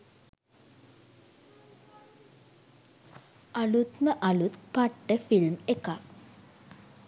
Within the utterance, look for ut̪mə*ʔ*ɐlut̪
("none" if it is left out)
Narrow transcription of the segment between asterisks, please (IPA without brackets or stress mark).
ʔ